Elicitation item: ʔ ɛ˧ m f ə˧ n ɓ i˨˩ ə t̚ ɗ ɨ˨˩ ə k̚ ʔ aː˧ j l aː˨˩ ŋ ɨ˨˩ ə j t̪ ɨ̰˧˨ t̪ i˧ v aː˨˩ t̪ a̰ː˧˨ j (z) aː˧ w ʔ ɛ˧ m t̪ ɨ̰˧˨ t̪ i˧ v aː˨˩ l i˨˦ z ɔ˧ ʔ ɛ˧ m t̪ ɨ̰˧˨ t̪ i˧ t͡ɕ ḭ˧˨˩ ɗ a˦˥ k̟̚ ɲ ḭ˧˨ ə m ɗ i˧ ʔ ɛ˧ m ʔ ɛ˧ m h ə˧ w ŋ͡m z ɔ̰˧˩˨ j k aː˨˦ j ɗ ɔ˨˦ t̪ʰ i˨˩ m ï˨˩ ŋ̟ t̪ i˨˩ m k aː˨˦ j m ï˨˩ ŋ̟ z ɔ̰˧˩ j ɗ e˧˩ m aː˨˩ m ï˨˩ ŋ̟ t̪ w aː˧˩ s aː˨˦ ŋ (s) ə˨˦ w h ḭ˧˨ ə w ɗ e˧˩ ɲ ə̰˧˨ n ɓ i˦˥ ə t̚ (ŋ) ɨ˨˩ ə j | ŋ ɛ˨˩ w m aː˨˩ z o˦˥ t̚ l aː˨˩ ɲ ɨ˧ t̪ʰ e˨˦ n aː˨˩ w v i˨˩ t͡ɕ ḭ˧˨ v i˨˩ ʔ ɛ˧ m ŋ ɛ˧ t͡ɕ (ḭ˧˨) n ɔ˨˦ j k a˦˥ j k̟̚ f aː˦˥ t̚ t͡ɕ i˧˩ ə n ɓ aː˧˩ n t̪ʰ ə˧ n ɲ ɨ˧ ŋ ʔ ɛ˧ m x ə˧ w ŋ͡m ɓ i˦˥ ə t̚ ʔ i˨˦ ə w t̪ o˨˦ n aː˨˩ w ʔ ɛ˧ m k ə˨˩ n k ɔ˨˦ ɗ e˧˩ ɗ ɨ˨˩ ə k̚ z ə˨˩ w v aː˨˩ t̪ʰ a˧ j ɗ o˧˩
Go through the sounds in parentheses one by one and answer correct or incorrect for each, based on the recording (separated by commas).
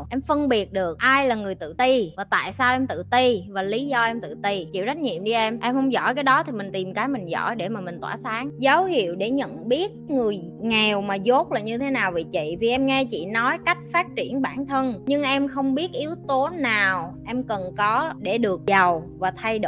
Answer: incorrect, incorrect, correct, correct